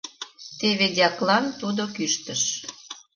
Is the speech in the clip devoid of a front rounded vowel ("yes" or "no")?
no